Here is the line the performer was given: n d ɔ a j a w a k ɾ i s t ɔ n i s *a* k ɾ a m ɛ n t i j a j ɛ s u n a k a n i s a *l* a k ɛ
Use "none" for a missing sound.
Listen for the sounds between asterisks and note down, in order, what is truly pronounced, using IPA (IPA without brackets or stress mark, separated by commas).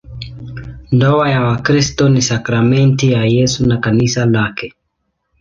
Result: a, l